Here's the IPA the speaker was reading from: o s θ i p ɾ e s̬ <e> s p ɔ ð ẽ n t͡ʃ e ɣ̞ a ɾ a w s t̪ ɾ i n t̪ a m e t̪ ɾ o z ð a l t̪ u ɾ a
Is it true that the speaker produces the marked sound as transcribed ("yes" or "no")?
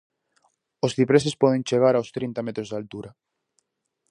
yes